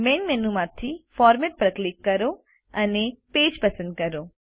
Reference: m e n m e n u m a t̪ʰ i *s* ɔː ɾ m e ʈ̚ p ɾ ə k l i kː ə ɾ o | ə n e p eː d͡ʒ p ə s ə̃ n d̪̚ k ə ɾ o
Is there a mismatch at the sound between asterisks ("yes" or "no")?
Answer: yes